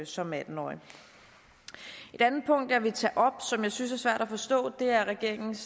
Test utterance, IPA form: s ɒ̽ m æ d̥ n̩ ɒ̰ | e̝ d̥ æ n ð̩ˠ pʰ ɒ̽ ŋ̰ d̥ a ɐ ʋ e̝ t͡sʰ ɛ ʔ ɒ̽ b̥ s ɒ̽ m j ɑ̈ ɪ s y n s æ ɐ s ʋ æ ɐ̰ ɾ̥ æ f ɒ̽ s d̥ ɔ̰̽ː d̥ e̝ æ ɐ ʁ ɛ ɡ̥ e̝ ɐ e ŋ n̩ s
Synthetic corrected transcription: s ɒ̽ m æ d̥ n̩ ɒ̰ | e̝ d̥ æ n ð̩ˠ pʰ ɔ̽ ŋ̰ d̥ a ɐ ʋ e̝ t͡sʰ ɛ ʔ ɒ̽ b̥ s ɒ̽ m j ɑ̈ ɪ s y n s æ ɐ s ʋ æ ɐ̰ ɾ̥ æ f ɒ̽ s d̥ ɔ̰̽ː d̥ e̝ æ ɐ ʁ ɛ ɡ̥ e̝ ɐ e ŋ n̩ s

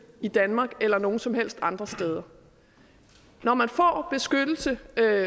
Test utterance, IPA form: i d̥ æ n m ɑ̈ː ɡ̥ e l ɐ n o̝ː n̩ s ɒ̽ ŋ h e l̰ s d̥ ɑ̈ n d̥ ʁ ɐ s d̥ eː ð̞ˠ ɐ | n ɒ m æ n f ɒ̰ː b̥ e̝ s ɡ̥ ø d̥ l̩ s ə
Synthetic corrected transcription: i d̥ æ n m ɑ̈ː ɡ̥ e l ɐ n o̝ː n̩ s ɒ̽ m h e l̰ s d̥ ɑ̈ n d̥ ʁ ɐ s d̥ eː ð̞ˠ ɐ | n ɒ m æ n f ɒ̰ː b̥ e̝ s ɡ̥ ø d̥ l̩ s ə

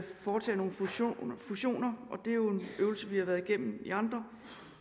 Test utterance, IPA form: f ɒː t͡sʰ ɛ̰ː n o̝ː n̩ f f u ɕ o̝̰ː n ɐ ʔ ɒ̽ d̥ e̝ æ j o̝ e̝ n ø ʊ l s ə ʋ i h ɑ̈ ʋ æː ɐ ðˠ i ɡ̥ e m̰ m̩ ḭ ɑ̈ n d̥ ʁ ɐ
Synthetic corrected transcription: f ɒː t͡sʰ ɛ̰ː n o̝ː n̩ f f u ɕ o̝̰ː n ɐ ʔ ɒ̽ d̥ e̝ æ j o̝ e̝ n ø ʊ l s ə ʋ i h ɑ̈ ʋ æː ɐ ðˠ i ɡ̥ e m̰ m̩ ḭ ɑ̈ n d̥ ʁ ɐ

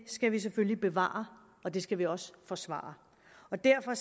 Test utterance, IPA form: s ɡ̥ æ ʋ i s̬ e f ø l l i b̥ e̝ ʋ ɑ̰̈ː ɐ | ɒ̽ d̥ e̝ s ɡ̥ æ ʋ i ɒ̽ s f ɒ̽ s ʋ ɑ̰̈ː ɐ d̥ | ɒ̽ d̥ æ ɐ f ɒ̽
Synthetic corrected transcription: s ɡ̥ æ ʋ i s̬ e f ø l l i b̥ e̝ ʋ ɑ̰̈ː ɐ | ɒ̽ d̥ e̝ s ɡ̥ æ ʋ i ɒ̽ s f ɒ̽ s ʋ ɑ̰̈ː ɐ | ɒ̽ d̥ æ ɐ f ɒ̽

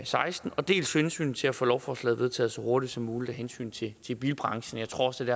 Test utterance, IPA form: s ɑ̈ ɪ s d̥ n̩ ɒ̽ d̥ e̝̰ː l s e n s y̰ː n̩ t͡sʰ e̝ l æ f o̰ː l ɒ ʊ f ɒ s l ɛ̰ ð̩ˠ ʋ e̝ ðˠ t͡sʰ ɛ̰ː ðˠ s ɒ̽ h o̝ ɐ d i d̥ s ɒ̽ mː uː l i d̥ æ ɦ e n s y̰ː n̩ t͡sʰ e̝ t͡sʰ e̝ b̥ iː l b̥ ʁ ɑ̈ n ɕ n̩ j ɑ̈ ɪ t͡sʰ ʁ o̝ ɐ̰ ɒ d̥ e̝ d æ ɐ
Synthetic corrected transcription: s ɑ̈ ɪ s d̥ n̩ ɒ̽ d̥ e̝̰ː l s e n s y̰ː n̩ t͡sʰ e̝ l æ f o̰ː l ɒ ʊ f ɒ s l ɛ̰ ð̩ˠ ʋ e̝ ðˠ t͡sʰ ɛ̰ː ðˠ s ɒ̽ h o̝ ɐ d i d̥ s ɒ̽ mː uː l i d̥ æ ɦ e n s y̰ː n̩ t͡sʰ e̝ t͡sʰ e̝ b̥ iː l b̥ ʁ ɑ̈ ŋ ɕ n̩ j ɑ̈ ɪ t͡sʰ ʁ o̝ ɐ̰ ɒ d̥ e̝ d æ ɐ

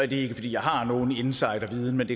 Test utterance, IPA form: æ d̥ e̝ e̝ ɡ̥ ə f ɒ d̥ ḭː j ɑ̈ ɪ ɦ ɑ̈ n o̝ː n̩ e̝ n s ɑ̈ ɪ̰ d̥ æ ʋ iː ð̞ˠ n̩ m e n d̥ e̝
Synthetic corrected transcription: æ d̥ e̝ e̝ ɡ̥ ə f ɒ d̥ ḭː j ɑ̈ ɪ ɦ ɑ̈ n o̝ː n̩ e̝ n s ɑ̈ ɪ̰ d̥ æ ʋ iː ð̞ˠ n̩ m e n d̥ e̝

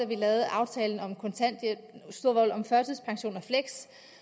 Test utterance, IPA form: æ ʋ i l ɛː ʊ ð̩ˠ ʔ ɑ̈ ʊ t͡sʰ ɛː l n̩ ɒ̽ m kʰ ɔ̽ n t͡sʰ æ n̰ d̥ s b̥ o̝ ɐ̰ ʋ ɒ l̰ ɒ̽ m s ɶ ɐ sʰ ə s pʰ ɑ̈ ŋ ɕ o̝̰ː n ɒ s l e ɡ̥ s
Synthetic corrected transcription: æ ʋ i l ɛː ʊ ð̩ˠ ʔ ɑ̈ ʊ t͡sʰ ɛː l n̩ ɒ̽ m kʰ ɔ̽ n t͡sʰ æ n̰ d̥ s d̥ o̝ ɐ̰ ʋ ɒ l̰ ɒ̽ m f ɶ ɐ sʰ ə s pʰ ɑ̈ ŋ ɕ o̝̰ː n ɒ f l e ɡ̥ s

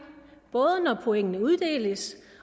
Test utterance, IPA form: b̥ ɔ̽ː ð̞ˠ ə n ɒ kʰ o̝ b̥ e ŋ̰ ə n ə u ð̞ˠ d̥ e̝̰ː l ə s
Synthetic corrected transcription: b̥ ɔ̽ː ð̞ˠ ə n ɒ pʰ o̝ e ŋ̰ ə n ə u ð̞ˠ d̥ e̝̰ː l ə s

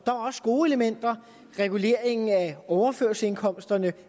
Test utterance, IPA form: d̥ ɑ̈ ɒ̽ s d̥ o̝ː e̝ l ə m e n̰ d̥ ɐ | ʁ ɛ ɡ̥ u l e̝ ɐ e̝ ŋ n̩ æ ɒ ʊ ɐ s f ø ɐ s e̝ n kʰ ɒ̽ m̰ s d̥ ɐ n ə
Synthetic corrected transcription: d̥ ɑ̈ ɒ̽ s ɡ̥ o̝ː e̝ l ə m e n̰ d̥ ɐ | ʁ ɛ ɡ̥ u l e̝ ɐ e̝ ŋ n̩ æ ɒ ʊ ɐ f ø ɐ s e̝ n kʰ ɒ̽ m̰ s d̥ ɐ n ə

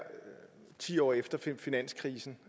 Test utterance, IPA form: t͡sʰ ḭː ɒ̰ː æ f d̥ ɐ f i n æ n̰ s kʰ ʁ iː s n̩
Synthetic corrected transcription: t͡sʰ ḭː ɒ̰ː e f d̥ ɐ f i n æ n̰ s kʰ ʁ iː s n̩

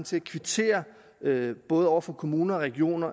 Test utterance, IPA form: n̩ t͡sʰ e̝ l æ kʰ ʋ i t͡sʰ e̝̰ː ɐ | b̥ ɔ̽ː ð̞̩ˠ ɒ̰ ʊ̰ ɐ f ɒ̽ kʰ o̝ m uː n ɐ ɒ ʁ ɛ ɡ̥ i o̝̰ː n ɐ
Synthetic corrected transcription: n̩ t͡sʰ e̝ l æ kʰ ʋ i t͡sʰ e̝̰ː ɐ | b̥ ɔ̽ː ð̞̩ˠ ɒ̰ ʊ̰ ɐ f ɒ̽ kʰ o̝ m uː n ɐ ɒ ʁ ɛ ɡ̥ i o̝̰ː n ɐ

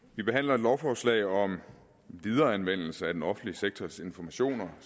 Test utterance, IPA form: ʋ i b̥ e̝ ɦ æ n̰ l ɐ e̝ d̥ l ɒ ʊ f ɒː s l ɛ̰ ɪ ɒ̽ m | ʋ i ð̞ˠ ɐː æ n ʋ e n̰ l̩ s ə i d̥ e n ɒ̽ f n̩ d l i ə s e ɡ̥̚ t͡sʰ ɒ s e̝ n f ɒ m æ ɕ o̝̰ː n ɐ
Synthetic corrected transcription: ʋ i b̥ e̝ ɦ æ n̰ l ɐ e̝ d̥ l ɒ ʊ f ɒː s l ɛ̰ ɪ ɒ̽ m | ʋ i ð̞ˠ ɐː æ n ʋ e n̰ l̩ s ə æ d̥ e n ɒ̽ f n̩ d l i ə s e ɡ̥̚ t͡sʰ ɒ s e̝ n f ɒ m æ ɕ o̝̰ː n ɐ

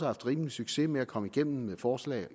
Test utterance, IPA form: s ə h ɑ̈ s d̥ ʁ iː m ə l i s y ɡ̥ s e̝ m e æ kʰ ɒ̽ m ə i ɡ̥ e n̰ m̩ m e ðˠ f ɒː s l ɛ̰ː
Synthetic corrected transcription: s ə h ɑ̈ f d̥ ʁ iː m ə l i s y ɡ̥ s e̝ m e æ kʰ ɒ̽ m ə i ɡ̥ e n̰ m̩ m e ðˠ f ɒː s l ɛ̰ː

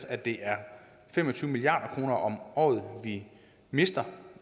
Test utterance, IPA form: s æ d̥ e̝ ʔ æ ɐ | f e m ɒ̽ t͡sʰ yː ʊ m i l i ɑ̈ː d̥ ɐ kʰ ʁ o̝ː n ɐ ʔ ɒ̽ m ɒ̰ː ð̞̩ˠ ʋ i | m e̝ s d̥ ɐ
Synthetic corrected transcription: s æ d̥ e̝ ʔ æ ɐ | f e m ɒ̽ t͡sʰ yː ʊ m i l i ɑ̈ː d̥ ɐ kʰ ʁ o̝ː n ɐ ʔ ɒ̽ m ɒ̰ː ð̞̩ˠ ʋ i | m e̝ s d̥ ɐ

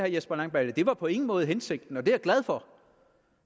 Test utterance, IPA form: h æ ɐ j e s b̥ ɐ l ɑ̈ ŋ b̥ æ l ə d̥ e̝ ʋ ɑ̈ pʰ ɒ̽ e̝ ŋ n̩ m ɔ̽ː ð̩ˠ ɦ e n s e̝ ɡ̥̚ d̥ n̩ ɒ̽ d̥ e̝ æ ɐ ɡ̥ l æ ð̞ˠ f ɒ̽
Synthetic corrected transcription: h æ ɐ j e s b̥ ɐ l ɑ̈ ŋ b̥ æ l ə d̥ e̝ ʋ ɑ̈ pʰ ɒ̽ e̝ ŋ n̩ m ɔ̽ː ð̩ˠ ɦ e n s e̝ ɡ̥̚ d̥ n̩ ɒ̽ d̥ e̝ æ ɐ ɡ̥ l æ ð̞ˠ f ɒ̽

